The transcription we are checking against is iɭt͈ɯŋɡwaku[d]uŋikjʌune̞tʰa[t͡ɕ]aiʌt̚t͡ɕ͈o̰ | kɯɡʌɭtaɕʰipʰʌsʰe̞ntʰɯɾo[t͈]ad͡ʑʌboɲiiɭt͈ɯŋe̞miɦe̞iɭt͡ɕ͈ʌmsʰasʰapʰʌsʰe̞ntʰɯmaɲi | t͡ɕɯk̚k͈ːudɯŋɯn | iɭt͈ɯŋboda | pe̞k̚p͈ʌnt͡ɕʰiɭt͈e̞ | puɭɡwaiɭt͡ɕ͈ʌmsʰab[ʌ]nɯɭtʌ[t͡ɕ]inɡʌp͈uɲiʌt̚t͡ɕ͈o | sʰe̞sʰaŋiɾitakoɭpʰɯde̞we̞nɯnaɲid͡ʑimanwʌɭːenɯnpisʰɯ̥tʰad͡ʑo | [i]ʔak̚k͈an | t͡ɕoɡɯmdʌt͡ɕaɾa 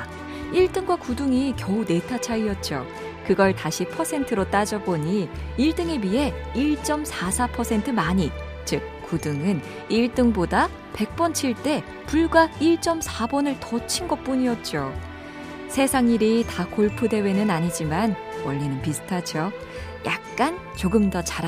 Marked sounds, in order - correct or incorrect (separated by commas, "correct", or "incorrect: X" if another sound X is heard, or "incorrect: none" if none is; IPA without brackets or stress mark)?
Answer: correct, incorrect: t͡ɕʰ, correct, correct, incorrect: t͡ɕʰ, incorrect: j